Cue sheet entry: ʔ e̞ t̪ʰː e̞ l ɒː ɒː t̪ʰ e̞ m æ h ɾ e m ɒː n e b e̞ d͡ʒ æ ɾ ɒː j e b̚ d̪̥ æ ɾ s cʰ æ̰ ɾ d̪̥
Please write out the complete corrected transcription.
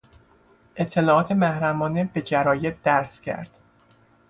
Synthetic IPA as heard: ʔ e̞ t̪ʰː e̞ l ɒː ɒː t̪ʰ e̞ m æ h ɾ æ m ɒː n e b e̞ d͡ʒ æ ɾ ɒː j e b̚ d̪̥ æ ɾ s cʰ æ̰ ɾ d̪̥

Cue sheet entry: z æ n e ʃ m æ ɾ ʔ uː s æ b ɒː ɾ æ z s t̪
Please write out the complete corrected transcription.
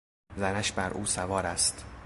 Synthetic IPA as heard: z æ n æ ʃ b æ ɾ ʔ uː s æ v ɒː ɾ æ s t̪

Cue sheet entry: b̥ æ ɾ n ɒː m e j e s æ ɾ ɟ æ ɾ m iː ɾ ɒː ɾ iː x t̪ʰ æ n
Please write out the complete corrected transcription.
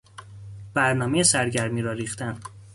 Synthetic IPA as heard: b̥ æ ɾ n ɒː m e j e s æ ɾ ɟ æ ɾ m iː ɾ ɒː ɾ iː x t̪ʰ æ n

